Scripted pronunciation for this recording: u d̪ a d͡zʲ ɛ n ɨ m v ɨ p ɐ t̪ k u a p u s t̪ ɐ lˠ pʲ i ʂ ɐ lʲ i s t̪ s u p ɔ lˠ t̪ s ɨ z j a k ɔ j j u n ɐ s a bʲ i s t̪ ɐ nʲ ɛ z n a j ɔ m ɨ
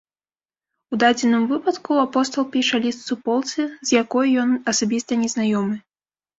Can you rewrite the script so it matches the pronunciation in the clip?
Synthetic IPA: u d̪ a d͡zʲ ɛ n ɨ m v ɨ p ɐ t̪ k u a p ɔ s t̪ ɐ lˠ pʲ i ʂ ɐ lʲ i s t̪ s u p ɔ lˠ t̪ s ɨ z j a k ɔ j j ɔ n ɐ s a bʲ i s t̪ ɐ nʲ ɛ z n a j ɔ m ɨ